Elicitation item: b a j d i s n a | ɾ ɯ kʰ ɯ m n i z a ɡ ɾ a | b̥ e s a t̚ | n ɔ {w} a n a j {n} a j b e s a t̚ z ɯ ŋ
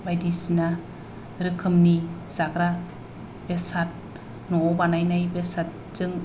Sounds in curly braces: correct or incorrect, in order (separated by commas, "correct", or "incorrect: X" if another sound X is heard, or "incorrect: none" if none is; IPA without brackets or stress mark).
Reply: incorrect: b, correct